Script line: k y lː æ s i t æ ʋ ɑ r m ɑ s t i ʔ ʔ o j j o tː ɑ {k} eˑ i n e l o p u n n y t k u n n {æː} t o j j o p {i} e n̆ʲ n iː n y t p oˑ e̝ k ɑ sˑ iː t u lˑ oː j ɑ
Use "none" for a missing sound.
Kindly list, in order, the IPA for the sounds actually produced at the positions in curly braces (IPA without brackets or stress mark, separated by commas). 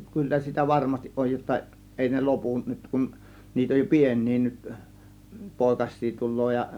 none, iː, i